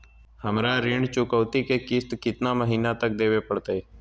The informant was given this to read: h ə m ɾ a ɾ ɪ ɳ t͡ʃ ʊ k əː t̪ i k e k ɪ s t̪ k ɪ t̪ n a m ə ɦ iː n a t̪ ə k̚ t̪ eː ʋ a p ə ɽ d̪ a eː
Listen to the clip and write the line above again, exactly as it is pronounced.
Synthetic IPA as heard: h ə m ɾ a ɾ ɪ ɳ t͡ʃ ʊ k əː t̪ i k e k ɪ s t̪ k ɪ t̪ n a m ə ɦ iː n a t̪ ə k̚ d̪ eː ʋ e p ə ɽ t̪ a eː